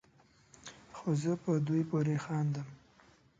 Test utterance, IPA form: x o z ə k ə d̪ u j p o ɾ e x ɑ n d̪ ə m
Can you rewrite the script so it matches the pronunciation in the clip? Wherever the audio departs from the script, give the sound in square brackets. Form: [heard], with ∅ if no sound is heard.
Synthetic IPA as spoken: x o z ə [p] ə d̪ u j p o ɾ e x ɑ n d̪ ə m